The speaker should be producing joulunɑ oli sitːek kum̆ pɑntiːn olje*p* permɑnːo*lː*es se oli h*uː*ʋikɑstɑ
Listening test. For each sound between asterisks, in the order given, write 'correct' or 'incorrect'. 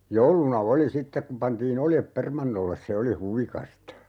correct, correct, incorrect: u

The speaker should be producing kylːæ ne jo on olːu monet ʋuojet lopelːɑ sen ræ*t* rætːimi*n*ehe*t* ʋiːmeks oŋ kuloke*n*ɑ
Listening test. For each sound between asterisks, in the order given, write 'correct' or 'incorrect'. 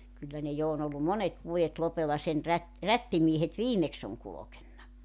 correct, incorrect: none, correct, incorrect: nː

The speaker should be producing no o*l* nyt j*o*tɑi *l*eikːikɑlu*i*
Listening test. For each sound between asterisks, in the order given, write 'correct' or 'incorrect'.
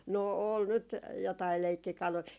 correct, correct, correct, correct

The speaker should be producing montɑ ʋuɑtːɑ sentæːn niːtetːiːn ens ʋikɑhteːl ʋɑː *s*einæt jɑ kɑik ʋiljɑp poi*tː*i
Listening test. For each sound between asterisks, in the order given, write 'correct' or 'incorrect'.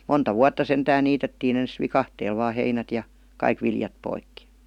incorrect: h, incorrect: kː

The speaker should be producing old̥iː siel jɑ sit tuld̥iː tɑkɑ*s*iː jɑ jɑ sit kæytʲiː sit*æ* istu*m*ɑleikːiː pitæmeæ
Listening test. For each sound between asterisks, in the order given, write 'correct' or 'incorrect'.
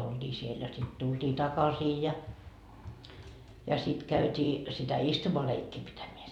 correct, correct, correct

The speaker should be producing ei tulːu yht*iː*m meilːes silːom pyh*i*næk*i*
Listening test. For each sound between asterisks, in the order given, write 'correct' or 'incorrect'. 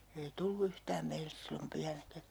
incorrect: æː, incorrect: æ, incorrect: æ

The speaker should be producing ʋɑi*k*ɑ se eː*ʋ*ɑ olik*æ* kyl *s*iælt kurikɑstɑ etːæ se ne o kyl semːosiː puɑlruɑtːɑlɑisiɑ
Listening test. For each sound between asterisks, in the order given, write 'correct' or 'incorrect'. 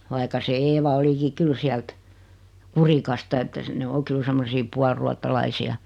correct, correct, incorrect: i, correct

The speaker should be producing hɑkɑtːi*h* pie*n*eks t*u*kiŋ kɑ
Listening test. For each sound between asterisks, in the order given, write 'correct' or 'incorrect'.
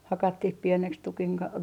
correct, correct, correct

